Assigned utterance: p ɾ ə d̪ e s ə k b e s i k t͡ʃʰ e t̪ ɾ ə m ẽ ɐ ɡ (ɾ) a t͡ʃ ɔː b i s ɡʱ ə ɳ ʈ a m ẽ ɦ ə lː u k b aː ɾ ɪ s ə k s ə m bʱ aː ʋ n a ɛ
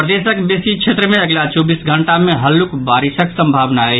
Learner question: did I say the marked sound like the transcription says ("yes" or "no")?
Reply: no